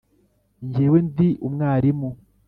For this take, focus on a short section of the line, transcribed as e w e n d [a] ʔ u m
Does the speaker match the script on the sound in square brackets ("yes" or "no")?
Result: no